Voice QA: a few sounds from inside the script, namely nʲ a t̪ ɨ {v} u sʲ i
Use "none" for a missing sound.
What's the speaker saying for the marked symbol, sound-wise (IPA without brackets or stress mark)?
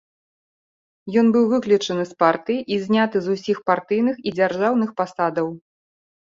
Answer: z